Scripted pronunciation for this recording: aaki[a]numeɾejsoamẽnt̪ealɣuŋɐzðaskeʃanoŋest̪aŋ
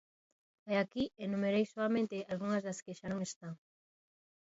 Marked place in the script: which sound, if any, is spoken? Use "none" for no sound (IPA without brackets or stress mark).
e